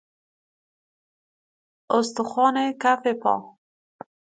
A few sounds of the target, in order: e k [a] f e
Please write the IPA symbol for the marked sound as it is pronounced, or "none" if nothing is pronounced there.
a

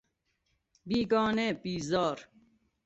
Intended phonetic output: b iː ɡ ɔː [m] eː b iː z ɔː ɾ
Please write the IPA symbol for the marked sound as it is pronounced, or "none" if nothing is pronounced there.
n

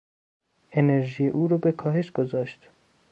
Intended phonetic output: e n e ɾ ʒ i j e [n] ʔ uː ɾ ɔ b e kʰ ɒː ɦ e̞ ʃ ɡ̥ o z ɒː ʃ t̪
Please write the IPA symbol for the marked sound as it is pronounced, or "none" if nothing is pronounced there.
none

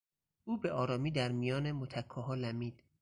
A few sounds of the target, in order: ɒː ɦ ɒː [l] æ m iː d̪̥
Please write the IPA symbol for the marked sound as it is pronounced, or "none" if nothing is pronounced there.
l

